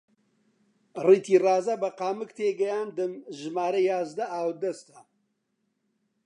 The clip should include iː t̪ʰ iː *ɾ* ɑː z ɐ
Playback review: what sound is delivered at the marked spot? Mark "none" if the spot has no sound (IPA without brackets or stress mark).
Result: r